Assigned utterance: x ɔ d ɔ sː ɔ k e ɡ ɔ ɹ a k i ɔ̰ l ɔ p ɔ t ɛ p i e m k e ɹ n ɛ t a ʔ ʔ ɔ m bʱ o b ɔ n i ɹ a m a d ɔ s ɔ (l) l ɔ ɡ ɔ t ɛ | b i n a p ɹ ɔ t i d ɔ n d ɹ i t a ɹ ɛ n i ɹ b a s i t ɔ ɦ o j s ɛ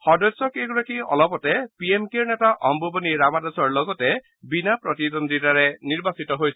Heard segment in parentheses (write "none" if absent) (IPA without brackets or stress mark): ɹ